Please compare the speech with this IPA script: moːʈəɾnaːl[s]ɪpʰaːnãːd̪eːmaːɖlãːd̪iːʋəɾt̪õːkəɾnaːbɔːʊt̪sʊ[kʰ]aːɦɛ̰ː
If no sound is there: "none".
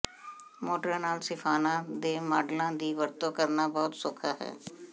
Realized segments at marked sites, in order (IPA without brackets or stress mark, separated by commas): s, kʰ